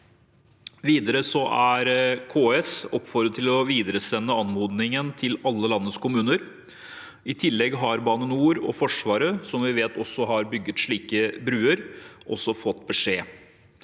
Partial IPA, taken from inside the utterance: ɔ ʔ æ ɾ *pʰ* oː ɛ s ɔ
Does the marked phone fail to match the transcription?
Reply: yes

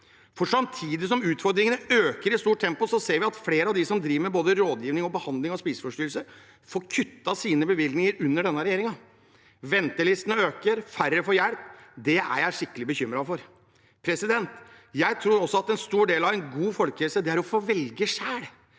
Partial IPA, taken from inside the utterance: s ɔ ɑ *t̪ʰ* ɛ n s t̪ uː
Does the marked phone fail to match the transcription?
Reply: yes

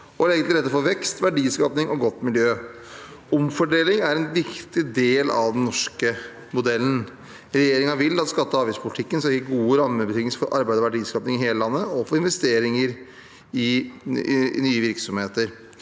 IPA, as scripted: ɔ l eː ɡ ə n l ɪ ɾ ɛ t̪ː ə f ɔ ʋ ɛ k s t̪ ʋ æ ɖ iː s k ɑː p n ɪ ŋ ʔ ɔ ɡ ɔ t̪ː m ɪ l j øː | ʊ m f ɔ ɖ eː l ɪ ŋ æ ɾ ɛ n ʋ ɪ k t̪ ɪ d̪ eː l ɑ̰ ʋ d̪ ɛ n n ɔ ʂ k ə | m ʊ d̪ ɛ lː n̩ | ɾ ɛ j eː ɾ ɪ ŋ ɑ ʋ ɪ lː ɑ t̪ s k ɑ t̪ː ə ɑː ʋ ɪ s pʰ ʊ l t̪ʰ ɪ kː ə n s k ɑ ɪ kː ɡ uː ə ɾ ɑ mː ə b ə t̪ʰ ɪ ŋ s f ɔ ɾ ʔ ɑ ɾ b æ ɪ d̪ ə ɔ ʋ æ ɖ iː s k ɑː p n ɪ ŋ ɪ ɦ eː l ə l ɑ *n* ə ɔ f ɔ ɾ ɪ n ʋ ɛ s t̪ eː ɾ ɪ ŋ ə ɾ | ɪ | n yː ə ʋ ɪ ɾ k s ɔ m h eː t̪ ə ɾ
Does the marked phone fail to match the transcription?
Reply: yes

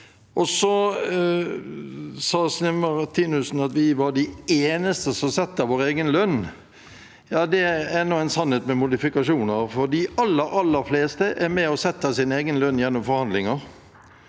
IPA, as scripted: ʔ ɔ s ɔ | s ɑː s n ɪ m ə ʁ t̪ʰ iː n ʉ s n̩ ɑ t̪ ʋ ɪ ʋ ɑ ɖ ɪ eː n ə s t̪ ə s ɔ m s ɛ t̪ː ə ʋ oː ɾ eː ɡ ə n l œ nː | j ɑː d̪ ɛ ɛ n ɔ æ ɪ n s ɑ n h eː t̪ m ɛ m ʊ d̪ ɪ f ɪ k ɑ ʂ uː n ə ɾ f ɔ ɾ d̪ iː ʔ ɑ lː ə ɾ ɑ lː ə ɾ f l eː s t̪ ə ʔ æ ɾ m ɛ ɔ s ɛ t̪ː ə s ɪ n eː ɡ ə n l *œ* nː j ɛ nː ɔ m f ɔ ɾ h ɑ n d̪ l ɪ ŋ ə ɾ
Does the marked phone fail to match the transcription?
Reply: no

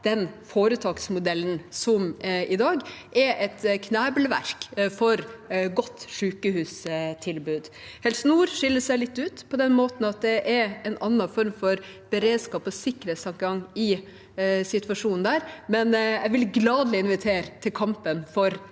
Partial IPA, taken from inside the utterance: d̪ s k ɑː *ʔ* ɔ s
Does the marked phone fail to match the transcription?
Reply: yes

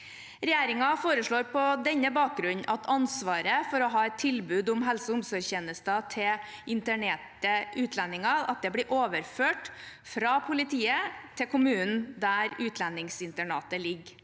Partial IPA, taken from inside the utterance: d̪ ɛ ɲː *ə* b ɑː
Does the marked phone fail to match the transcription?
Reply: no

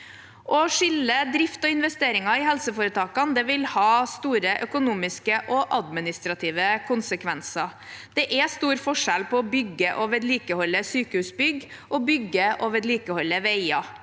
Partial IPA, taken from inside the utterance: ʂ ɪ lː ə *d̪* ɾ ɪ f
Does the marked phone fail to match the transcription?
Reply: no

